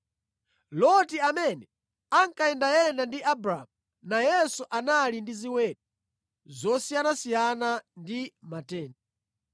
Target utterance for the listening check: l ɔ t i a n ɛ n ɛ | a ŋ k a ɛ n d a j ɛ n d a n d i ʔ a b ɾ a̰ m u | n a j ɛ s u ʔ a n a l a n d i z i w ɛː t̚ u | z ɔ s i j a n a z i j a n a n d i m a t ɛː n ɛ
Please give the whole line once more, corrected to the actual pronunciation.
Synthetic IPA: l ɔ t i a m ɛ n ɛ | a ŋ k a ɛ n d a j ɛ n d a n d i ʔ a b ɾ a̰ m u | n a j ɛ s u ʔ a n a l i n d i z i w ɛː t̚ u | z ɔ s i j a n a s i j a n a n d i m a t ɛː n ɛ